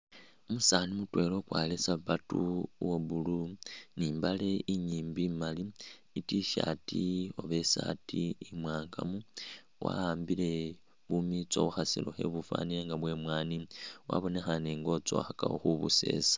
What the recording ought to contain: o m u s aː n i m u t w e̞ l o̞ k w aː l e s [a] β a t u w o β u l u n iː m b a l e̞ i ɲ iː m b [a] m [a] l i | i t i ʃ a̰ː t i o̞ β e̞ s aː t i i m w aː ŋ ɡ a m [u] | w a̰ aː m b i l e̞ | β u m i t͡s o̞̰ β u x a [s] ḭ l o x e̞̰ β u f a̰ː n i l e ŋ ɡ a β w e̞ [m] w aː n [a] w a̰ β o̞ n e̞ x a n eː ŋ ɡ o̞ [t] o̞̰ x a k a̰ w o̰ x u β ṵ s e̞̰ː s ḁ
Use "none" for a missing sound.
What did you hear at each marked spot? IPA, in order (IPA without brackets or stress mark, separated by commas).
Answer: a, i, a, u, s, m, i, t͡s